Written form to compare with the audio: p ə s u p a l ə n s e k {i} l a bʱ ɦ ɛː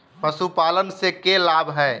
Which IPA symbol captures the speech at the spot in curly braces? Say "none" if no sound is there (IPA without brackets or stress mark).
e